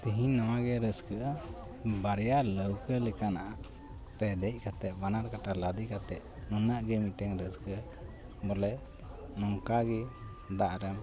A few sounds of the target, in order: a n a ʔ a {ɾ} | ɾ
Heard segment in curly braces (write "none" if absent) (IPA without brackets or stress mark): none